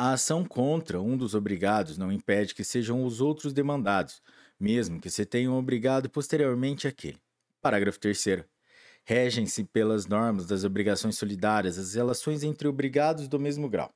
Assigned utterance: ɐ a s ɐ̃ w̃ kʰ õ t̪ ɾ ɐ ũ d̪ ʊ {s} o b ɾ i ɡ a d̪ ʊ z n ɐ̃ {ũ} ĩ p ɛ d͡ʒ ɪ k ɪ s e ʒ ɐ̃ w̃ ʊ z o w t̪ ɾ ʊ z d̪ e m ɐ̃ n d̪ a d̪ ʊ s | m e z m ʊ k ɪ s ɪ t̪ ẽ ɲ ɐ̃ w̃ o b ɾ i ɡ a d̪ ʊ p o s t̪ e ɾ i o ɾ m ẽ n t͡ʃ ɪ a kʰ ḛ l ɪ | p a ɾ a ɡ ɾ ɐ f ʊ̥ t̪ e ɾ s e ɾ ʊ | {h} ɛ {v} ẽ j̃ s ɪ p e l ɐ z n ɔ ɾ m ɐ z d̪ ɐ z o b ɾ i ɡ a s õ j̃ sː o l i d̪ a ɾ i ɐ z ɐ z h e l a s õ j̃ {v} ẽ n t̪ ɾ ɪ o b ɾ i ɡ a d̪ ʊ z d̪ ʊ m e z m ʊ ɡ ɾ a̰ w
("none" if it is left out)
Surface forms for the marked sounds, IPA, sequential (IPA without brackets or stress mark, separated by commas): z, w̃, h, ʒ, z